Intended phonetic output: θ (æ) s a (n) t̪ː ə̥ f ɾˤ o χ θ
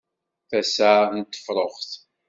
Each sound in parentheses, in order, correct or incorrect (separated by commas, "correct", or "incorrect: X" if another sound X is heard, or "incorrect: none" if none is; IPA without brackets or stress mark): correct, correct